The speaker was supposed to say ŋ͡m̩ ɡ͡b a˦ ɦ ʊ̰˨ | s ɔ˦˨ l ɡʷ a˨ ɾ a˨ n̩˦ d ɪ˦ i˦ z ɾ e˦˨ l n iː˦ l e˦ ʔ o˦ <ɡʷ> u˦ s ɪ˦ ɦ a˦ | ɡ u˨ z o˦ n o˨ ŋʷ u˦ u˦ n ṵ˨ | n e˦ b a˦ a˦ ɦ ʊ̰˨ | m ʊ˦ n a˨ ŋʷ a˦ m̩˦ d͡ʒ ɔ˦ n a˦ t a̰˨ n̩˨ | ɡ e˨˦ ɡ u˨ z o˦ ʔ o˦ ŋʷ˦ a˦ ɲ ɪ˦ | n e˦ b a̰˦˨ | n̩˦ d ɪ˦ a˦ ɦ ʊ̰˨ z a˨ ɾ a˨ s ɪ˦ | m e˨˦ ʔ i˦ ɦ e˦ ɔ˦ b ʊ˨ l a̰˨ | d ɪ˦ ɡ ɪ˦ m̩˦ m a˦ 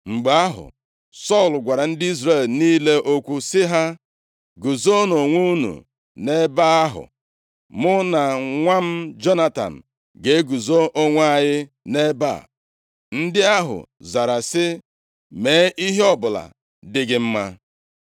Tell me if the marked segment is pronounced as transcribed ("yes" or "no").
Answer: no